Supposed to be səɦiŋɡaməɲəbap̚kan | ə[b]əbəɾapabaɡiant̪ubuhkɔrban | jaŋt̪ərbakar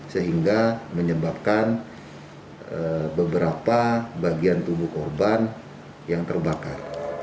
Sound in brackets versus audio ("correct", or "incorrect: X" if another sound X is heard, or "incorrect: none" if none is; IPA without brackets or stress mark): correct